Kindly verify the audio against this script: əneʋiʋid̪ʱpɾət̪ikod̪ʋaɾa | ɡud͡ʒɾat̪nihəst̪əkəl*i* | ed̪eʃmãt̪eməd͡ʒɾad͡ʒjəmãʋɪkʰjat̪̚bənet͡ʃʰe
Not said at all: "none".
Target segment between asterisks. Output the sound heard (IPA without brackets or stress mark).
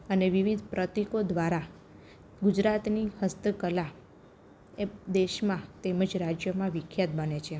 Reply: a